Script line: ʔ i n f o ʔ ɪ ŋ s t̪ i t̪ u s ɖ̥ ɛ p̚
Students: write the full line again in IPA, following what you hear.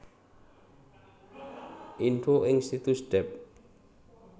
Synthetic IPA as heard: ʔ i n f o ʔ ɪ ŋ s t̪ i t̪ u s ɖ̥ ɛ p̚